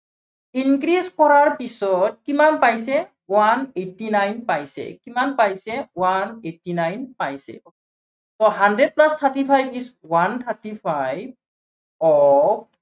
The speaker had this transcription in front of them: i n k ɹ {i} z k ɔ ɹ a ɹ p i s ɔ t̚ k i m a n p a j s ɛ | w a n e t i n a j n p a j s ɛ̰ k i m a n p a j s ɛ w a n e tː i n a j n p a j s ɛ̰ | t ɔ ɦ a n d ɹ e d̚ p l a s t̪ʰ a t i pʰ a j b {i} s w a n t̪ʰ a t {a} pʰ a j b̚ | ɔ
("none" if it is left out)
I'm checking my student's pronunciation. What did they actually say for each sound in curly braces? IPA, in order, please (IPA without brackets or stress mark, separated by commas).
i, i, i